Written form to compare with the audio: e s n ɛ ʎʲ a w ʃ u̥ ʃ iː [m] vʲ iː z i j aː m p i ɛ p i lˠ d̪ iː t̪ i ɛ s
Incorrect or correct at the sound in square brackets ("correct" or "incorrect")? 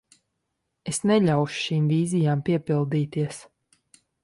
correct